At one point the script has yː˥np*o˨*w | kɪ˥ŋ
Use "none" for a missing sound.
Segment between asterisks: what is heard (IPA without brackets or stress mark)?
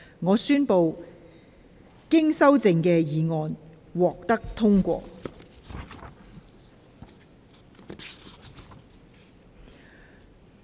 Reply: o˨